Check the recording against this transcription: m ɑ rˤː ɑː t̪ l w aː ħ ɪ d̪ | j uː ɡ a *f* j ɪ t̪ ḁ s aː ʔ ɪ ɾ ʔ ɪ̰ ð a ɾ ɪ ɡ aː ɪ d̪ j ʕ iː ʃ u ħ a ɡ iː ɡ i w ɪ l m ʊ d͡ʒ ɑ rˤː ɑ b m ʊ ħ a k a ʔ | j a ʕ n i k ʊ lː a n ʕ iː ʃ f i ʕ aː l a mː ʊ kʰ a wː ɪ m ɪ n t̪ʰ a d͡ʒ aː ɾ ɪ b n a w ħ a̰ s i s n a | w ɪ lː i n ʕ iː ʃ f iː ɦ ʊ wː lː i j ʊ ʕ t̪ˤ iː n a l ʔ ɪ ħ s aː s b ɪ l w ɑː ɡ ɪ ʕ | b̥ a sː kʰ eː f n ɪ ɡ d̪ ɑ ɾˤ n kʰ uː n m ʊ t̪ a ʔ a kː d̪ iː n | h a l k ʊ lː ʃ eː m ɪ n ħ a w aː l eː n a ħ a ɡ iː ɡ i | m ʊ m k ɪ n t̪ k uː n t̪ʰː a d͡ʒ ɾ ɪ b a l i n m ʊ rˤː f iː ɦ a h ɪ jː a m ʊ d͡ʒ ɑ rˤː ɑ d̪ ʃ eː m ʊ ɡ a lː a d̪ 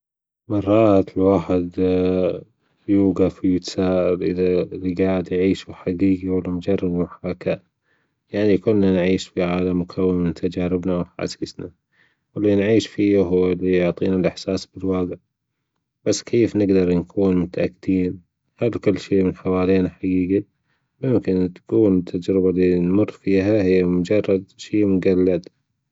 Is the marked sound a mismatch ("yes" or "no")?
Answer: no